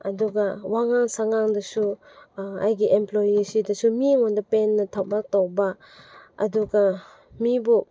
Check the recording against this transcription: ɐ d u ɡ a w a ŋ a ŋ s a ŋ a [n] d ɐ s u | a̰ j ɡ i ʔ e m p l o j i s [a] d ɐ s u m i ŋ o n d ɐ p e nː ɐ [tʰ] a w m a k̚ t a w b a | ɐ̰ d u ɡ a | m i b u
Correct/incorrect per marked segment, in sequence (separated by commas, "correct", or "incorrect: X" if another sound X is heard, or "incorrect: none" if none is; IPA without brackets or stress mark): incorrect: ŋ, incorrect: i, correct